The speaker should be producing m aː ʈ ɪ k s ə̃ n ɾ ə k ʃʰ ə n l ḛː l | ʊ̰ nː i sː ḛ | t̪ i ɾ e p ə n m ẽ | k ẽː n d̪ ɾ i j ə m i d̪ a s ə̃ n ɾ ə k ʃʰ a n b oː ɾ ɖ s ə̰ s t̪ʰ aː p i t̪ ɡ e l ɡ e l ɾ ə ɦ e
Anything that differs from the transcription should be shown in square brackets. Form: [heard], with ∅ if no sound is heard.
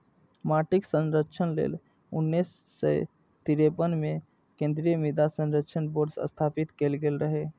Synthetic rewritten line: m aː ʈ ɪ k s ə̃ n ɾ ə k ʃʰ ə n l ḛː l | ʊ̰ nː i sː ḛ | t̪ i ɾ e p ə n m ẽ | k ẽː n d̪ ɾ i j ə m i d̪ a s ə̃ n ɾ ə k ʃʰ [ə] n b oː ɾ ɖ s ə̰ s t̪ʰ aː p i t̪ [k] e l ɡ e l ɾ ə ɦ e